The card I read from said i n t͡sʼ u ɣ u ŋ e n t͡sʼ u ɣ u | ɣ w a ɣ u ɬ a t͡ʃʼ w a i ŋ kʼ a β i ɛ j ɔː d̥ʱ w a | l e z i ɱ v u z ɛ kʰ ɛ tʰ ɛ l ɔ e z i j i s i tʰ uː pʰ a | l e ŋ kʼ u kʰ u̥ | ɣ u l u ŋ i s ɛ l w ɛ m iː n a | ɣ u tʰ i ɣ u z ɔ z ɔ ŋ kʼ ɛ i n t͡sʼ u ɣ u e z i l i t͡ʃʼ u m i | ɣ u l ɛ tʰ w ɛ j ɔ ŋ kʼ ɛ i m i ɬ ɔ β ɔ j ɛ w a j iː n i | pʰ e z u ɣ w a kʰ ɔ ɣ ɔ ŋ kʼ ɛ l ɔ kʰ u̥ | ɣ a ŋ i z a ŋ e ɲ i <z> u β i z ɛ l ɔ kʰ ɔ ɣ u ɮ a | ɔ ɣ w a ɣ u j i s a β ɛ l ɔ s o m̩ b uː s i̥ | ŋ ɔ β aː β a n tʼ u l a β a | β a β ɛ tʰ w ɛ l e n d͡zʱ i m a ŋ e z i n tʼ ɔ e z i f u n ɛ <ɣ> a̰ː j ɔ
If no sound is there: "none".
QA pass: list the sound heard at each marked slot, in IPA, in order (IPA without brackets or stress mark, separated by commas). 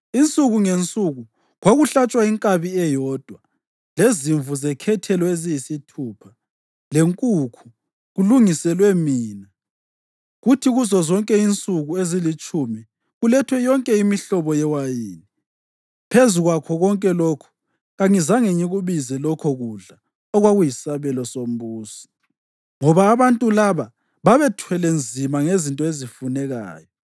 ɣ, ɣ